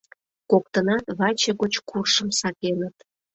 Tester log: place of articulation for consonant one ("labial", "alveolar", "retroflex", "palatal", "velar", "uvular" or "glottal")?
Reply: velar